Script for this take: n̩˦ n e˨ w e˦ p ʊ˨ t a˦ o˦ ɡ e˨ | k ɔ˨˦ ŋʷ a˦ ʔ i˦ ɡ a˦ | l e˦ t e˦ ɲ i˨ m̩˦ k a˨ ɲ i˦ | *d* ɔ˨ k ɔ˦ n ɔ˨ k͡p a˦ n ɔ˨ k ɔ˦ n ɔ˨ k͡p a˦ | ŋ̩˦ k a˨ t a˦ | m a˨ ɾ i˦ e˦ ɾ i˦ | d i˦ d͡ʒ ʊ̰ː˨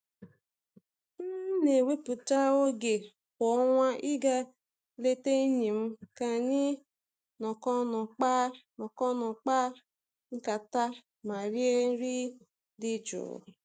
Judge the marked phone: incorrect: n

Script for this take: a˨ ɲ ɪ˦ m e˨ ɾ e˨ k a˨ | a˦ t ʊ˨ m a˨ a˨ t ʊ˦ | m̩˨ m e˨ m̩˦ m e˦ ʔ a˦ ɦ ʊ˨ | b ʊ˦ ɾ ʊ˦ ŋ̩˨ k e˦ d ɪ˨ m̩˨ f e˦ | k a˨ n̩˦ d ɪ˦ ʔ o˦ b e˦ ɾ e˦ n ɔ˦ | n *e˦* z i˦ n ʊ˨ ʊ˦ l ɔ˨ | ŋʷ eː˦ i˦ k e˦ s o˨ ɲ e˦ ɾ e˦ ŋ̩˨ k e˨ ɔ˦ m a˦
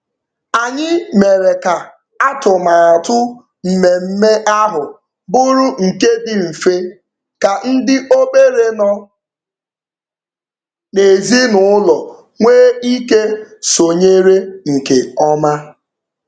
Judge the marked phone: incorrect: e˨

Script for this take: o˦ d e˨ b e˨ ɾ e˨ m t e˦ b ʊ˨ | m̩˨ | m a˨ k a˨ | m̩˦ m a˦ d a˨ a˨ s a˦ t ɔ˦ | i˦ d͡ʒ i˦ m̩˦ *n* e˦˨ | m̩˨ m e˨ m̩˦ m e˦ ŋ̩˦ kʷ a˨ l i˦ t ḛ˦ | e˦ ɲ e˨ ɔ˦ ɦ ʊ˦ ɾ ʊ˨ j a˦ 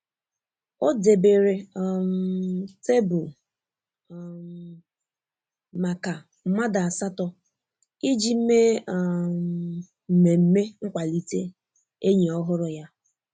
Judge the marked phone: incorrect: m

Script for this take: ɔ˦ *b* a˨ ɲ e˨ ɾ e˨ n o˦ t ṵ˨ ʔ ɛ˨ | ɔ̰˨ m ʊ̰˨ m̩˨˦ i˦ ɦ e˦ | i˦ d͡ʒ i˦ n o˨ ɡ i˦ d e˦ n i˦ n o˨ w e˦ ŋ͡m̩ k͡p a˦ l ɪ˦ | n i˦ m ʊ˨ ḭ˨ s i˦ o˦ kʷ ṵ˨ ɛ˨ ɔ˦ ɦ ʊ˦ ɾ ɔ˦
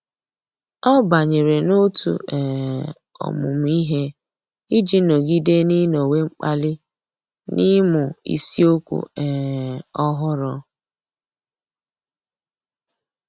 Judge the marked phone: correct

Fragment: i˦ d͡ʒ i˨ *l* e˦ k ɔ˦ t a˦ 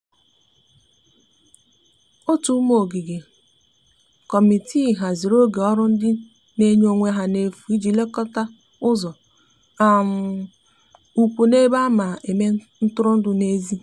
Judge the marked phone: correct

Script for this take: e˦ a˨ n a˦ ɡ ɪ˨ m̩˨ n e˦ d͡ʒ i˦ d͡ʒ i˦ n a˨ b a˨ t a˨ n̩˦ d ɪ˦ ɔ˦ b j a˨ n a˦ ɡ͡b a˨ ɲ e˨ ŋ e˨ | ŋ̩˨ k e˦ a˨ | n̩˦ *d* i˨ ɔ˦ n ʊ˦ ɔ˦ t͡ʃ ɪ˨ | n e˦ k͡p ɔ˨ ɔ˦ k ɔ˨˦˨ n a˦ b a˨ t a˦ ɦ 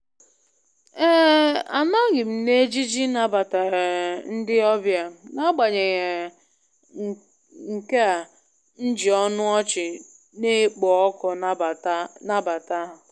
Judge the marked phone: incorrect: d͡ʒ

